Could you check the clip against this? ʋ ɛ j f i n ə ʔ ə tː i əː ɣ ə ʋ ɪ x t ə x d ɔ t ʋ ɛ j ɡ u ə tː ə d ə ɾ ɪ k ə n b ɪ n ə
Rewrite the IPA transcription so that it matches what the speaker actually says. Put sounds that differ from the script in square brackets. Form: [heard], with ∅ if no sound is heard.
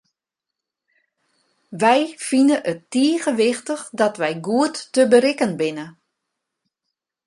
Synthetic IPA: ʋ ɛ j f i n ə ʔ ə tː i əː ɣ ə ʋ ɪ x t ə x d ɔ t ʋ ɛ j ɡ u ə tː ə [b] ə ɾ ɪ k ə n b ɪ n ə